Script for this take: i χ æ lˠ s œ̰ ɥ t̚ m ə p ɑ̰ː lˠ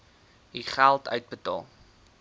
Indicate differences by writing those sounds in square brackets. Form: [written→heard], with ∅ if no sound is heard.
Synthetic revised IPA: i χ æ lˠ [s→t] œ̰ ɥ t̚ [m→b] ə [p→t] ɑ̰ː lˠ